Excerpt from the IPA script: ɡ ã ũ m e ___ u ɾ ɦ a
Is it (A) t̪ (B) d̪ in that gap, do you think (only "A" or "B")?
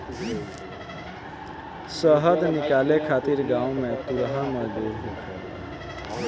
A